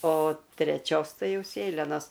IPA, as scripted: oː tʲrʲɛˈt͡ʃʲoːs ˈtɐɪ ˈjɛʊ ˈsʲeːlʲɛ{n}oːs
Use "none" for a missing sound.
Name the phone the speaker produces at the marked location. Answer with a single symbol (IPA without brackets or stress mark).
n